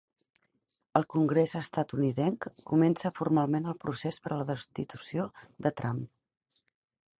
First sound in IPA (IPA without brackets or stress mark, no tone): ə